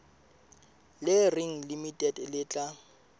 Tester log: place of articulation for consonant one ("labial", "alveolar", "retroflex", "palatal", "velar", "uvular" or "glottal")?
alveolar